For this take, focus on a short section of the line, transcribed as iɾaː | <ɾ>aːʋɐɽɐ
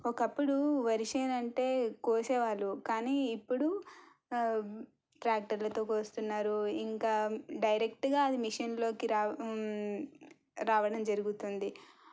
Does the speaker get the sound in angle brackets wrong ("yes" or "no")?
no